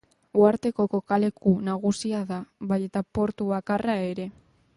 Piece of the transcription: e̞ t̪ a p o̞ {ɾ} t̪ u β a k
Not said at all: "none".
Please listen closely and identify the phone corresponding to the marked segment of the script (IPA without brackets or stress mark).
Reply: ɾ